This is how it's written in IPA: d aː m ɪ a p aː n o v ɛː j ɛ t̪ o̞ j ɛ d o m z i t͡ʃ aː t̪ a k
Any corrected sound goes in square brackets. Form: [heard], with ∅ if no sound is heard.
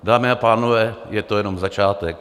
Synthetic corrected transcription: d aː m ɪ a p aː n o v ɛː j ɛ t̪ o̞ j ɛ [n] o m z [a] t͡ʃ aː t̪ [ɛ] k